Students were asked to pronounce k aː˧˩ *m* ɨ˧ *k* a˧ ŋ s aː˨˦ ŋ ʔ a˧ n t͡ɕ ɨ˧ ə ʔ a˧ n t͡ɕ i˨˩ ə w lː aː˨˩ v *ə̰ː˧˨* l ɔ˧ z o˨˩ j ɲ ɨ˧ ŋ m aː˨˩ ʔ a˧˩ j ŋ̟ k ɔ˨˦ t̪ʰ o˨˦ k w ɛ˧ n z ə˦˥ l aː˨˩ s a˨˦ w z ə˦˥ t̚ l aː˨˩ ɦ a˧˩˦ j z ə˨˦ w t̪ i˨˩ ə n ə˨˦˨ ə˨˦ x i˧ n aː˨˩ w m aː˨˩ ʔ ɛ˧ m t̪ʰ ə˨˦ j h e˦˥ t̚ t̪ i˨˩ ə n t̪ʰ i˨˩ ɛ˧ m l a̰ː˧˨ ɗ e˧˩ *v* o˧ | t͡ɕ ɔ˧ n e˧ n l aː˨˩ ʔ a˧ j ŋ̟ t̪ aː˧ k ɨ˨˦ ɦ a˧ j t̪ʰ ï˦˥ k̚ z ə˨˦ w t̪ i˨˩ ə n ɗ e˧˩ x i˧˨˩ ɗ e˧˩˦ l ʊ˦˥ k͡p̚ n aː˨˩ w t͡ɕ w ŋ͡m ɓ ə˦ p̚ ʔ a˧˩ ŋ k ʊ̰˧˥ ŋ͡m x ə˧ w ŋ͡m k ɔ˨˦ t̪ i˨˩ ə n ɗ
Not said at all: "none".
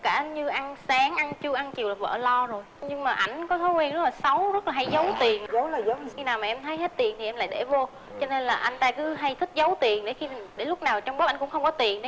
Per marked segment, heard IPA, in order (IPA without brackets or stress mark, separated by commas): ɲ, ʔ, ə̰ː˧˨, v